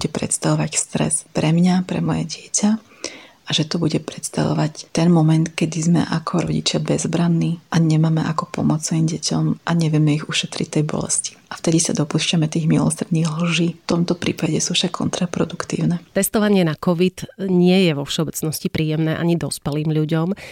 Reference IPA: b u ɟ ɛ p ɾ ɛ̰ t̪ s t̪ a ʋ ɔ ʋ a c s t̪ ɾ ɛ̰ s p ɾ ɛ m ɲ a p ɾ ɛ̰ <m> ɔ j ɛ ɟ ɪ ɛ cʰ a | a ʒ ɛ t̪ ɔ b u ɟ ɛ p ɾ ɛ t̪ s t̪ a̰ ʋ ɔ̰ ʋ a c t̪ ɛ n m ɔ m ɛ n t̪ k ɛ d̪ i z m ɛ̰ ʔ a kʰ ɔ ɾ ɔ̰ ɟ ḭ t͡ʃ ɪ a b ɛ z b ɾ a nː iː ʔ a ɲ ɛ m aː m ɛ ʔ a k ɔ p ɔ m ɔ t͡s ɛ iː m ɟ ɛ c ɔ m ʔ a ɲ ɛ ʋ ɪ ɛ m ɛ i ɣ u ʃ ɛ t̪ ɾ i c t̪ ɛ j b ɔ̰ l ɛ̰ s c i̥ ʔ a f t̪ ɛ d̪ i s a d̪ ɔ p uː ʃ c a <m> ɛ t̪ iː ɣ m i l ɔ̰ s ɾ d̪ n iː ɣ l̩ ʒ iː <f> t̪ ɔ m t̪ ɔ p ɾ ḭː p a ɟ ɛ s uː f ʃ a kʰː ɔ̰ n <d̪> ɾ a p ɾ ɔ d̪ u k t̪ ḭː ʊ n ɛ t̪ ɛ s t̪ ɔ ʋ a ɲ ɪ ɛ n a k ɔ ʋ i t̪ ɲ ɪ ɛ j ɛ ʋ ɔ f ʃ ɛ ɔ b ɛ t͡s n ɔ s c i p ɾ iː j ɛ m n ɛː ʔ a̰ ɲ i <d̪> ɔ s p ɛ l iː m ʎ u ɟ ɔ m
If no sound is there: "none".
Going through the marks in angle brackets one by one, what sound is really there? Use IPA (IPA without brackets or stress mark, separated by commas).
m, m, f, t̪, d̪